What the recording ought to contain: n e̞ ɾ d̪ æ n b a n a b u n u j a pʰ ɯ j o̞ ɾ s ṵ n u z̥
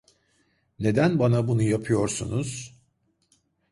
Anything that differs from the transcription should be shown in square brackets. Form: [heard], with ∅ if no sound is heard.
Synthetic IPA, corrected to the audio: n e̞ [∅] d̪ æ n b a n a b u n u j a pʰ ɯ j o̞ ɾ s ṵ n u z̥